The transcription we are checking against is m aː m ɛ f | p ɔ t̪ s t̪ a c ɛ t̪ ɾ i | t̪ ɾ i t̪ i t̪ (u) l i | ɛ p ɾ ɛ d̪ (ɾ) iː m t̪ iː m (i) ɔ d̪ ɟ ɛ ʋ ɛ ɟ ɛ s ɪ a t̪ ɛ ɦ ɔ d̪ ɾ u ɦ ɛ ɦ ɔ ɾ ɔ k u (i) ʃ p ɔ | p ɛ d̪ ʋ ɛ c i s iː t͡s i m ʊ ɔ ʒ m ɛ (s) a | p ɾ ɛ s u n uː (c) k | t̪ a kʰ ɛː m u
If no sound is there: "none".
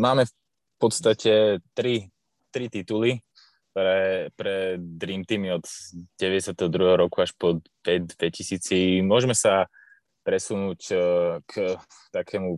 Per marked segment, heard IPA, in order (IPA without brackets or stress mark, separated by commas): u, ɾ, i, a, s, c